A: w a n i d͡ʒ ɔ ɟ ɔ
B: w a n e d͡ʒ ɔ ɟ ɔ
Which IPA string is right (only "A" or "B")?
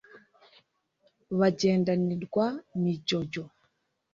A